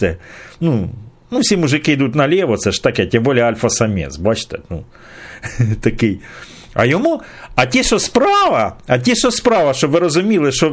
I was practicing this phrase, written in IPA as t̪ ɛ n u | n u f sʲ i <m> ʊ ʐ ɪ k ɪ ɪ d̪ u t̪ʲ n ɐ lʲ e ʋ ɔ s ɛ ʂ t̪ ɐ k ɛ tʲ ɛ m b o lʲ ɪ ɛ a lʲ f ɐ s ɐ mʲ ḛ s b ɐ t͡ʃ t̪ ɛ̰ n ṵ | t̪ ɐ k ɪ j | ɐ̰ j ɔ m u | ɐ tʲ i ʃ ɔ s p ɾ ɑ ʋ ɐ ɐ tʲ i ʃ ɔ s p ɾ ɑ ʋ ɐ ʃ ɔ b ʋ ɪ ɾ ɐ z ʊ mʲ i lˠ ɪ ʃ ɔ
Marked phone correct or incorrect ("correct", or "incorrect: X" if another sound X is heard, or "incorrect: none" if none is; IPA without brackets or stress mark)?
correct